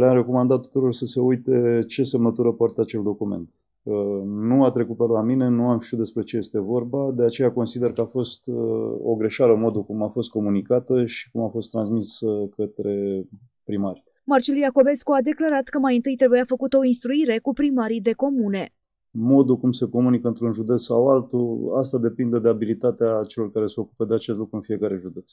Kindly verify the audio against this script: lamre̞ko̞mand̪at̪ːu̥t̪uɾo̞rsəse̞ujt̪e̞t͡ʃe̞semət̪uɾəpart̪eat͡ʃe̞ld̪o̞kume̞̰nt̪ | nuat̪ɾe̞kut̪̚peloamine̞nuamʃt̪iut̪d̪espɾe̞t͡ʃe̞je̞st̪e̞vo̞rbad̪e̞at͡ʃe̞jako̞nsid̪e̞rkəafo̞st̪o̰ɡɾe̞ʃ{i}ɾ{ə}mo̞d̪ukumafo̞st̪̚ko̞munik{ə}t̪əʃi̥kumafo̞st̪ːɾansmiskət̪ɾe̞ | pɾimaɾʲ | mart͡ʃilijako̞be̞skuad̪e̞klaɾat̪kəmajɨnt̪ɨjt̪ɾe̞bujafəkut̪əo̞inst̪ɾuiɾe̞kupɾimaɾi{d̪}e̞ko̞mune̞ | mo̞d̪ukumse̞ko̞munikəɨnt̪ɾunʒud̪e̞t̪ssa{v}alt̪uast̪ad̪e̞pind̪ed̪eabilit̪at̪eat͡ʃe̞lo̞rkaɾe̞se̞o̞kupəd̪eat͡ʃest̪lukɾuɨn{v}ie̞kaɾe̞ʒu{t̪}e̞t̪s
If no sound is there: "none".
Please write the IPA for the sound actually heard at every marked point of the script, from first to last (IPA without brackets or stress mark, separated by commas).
a, ə, a, d̪, w, f, d̪